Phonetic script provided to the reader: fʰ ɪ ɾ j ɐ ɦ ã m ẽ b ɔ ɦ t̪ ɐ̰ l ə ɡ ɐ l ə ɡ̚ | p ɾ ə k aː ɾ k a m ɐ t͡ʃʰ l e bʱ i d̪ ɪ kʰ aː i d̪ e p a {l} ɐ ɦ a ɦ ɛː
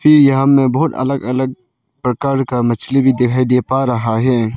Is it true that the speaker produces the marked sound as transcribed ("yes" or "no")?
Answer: no